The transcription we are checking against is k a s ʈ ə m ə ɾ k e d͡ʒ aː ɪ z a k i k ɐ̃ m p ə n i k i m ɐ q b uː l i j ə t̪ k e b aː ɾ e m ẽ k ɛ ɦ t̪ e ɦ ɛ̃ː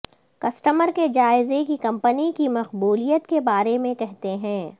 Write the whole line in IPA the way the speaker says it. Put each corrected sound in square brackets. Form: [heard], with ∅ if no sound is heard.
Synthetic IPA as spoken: k [ɐ] s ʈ ə m ə ɾ k e d͡ʒ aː ɪ z [e] k i k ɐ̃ m p ə n i k i m ɐ q b uː l i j ə t̪ k e b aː ɾ e m ẽ k ɛ ɦ t̪ e ɦ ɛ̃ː

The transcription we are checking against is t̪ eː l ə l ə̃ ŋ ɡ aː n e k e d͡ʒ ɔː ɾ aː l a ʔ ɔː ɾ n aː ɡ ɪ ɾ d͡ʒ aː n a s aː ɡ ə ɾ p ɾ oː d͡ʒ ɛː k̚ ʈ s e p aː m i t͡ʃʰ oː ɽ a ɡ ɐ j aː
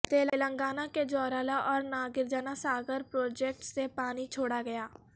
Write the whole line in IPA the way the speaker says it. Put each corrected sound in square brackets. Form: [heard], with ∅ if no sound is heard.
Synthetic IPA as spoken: t̪ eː l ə l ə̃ ŋ ɡ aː n [a] k e d͡ʒ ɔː ɾ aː l a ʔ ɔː ɾ n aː ɡ ɪ ɾ d͡ʒ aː n a s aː ɡ ə ɾ p ɾ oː d͡ʒ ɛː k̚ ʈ s e p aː [n] i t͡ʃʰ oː ɽ a ɡ ɐ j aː

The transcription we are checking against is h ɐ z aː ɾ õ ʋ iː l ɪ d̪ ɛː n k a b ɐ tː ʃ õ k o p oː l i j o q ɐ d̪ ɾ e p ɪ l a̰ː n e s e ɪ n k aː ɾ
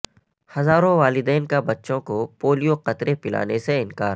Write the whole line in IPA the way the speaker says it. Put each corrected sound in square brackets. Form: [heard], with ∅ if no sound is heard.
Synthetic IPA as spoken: h ɐ z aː ɾ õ ʋ [aː] l ɪ d̪ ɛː n k a b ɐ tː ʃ õ k o p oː l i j o q ɐ [t̪] ɾ e p ɪ l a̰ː n e s e ɪ n k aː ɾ

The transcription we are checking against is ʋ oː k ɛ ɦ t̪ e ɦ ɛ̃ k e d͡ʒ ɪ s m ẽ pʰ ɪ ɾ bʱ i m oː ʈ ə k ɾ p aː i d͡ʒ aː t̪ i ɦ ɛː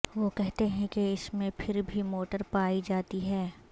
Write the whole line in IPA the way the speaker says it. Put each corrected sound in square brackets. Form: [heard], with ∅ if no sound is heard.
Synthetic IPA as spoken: ʋ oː k ɛ ɦ t̪ e ɦ ɛ̃ k e [∅] ɪ s m ẽ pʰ ɪ ɾ bʱ i m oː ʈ ə [∅] ɾ p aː i d͡ʒ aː t̪ i ɦ ɛː

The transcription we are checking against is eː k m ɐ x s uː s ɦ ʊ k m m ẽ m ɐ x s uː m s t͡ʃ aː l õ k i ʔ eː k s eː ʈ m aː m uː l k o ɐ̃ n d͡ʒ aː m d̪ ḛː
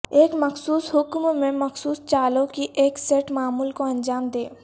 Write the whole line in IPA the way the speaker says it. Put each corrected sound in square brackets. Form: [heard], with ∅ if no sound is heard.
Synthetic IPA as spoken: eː k m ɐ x s uː s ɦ ʊ k m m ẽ m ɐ x s uː [∅] s t͡ʃ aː l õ k i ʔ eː k s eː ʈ m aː m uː l k o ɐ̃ n d͡ʒ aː m d̪ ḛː

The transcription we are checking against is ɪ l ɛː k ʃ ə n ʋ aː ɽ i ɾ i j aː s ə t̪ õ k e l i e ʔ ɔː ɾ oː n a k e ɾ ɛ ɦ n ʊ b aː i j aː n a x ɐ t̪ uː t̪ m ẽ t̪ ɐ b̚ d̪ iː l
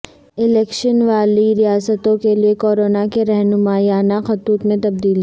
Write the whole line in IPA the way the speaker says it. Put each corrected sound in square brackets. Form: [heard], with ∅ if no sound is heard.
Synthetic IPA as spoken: ɪ l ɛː k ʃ ə n ʋ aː [l] i ɾ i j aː s ə t̪ õ k e l i e [k] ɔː ɾ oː n a k e ɾ ɛ ɦ n ʊ [m] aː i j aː n a x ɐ t̪ uː t̪ m ẽ t̪ ɐ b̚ d̪ iː l

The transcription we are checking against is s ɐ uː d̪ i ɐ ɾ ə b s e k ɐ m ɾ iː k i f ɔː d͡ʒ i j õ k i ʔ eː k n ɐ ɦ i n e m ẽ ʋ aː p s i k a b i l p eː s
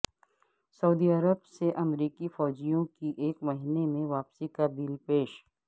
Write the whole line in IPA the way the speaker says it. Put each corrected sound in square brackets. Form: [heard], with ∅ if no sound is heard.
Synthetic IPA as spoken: s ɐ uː d̪ i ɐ ɾ ə b s e [ʔ] ɐ m ɾ iː k i f ɔː d͡ʒ i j õ k i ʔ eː k [m] ɐ ɦ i n e m ẽ ʋ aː p s i k a b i l p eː [ʃ]

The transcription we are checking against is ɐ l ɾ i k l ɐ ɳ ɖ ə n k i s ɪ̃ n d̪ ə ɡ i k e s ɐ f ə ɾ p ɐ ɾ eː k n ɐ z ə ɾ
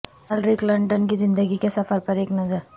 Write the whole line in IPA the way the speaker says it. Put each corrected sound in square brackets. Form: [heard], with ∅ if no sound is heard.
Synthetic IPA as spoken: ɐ l ɾ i k l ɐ ɳ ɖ ə n k i [z] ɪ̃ n d̪ ə ɡ i k e s ɐ f ə ɾ p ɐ ɾ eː k n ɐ z ə ɾ

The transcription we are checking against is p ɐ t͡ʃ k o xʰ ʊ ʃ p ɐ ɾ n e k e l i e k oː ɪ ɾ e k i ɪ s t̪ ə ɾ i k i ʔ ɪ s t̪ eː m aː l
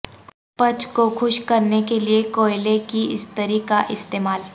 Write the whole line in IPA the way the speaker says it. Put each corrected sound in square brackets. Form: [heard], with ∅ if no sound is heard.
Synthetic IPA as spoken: p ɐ t͡ʃ k o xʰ ʊ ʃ [k] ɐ ɾ n e k e l i e k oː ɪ [l] e k i ɪ s t̪ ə ɾ i k [a] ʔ ɪ s t̪ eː m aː l

